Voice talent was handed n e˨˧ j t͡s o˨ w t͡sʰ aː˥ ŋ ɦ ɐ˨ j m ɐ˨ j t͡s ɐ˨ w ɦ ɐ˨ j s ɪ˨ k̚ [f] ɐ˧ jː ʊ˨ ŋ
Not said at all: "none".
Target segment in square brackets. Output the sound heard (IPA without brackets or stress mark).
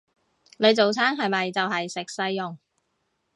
s